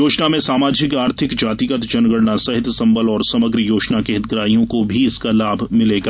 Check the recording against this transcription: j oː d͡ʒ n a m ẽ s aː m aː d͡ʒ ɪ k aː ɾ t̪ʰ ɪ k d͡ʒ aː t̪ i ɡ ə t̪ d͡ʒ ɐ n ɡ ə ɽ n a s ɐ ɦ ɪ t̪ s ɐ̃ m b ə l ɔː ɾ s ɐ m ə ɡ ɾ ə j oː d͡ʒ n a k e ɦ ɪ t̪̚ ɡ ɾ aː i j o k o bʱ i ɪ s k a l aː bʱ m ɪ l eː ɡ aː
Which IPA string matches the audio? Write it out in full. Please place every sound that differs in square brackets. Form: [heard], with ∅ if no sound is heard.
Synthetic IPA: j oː d͡ʒ n a m ẽ s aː m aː d͡ʒ ɪ k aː ɾ t̪ʰ ɪ k d͡ʒ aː t̪ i ɡ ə t̪ d͡ʒ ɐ n ɡ ə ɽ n a s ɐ ɦ ɪ t̪ s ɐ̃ m b ə l ɔː ɾ s ɐ m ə ɡ ɾ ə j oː d͡ʒ n a k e ɦ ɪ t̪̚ ɡ ɾ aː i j [õ] k o bʱ i ɪ s k a l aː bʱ m ɪ l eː ɡ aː